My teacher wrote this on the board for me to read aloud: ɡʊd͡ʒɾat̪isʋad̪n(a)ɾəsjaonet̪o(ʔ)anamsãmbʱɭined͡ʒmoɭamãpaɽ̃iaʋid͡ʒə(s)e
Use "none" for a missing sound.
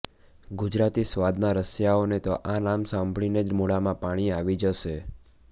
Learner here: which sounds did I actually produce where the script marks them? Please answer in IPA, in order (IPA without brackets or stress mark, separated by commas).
a, ʔ, ʃ